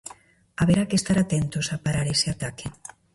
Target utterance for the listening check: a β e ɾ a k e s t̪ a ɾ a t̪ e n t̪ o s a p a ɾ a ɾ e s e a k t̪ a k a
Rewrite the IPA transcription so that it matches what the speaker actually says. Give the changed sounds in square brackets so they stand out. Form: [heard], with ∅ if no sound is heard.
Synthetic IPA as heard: a β e ɾ a k e s t̪ a ɾ a t̪ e n t̪ o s a p a ɾ a ɾ e s e a [∅] t̪ a k [e]